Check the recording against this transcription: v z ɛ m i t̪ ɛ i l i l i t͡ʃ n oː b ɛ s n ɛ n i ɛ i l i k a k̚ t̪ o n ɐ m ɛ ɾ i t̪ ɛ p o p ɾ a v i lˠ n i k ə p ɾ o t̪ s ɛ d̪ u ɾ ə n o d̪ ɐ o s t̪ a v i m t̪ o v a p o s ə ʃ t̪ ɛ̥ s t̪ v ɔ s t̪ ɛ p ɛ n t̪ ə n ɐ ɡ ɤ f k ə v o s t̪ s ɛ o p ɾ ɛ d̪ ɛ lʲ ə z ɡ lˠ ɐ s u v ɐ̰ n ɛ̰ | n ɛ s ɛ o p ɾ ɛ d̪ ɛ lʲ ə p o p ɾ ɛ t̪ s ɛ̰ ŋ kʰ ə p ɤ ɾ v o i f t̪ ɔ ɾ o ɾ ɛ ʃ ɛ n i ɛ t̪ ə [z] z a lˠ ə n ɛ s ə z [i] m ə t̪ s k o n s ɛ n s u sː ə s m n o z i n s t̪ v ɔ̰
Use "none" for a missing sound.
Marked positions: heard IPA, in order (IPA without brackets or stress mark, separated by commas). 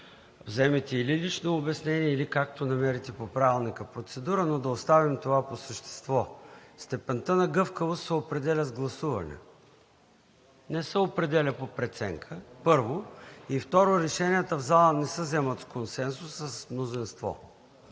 v, ɛ